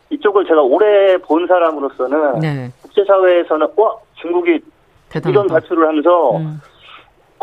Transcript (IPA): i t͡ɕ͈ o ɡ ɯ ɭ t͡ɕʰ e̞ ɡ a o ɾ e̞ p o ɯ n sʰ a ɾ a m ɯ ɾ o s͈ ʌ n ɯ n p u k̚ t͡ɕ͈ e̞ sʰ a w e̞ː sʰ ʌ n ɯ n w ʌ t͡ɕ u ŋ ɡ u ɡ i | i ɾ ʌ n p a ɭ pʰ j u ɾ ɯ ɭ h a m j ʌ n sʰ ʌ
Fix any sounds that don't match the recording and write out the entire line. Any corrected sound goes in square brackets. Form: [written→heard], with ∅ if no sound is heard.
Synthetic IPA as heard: i t͡ɕ͈ o ɡ ɯ ɭ [t͡ɕʰ→t͡ɕ] e̞ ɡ a o ɾ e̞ p o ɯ n sʰ a ɾ a m ɯ ɾ o s͈ ʌ n ɯ n [p→k] u k̚ t͡ɕ͈ e̞ sʰ a w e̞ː sʰ ʌ n ɯ n w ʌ t͡ɕ u ŋ ɡ u ɡ i | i ɾ ʌ n p a ɭ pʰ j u ɾ ɯ ɭ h a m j ʌ n sʰ ʌ